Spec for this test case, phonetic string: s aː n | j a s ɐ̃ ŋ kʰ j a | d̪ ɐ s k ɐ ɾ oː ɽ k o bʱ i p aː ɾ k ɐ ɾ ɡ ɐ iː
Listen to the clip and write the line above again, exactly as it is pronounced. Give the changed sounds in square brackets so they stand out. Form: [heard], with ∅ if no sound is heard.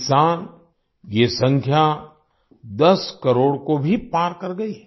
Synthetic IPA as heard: s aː n | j [e] s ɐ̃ ŋ kʰ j a | d̪ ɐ s k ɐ ɾ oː ɽ k o bʱ i p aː ɾ k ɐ ɾ ɡ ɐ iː